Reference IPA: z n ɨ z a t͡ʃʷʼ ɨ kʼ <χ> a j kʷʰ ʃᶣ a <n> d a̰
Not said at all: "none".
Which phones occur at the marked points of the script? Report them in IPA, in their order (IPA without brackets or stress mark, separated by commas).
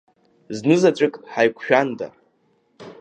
ħ, n